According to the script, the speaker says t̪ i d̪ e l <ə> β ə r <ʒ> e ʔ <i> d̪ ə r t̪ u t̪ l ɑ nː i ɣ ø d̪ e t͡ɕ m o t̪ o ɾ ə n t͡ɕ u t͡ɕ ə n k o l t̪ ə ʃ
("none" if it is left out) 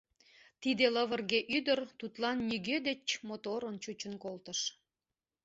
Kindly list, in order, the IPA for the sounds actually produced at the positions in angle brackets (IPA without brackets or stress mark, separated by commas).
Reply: ə, ɣ, y